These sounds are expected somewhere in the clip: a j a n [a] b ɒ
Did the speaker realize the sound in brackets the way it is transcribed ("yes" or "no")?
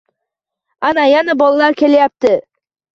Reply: yes